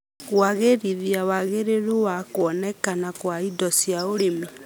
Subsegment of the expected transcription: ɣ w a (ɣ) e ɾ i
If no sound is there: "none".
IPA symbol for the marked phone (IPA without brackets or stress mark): ɣ